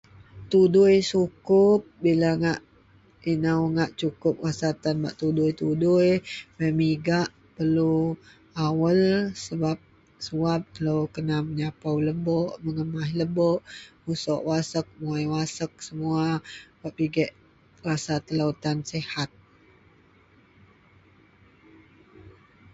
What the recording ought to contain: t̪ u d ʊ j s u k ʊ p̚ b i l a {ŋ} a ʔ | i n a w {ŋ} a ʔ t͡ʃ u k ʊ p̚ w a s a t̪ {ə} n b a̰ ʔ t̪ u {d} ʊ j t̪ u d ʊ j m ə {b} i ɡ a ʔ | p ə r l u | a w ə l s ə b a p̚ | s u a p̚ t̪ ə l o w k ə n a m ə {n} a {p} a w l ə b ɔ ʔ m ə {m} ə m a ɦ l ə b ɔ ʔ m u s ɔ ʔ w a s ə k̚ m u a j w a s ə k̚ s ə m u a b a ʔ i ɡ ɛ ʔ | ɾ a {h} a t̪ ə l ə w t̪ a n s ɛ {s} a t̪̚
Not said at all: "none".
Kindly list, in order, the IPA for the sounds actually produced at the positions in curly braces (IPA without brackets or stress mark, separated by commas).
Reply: ŋ, ŋ, a, d, m, ɲ, p, ŋ, s, h